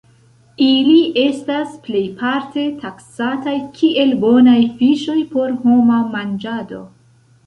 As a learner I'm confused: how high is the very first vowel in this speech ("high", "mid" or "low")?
high